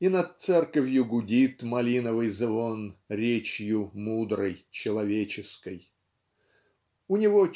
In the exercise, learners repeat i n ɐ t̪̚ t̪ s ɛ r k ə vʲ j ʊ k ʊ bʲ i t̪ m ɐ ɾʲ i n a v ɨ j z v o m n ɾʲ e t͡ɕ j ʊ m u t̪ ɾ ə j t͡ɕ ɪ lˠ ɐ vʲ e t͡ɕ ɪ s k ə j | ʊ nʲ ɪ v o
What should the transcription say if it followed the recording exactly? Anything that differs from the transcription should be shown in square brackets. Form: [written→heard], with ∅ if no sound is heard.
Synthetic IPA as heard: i n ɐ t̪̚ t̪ s ɛ r k ə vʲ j ʊ [k→ɡ] ʊ [bʲ→dʲ] i t̪ m ɐ [ɾʲ→lʲ] i n [a→ə] v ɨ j z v o [m→∅] n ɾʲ e t͡ɕ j ʊ m u [t̪→d̪] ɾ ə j t͡ɕ ɪ lˠ ɐ vʲ e t͡ɕ ɪ s k ə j | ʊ nʲ ɪ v o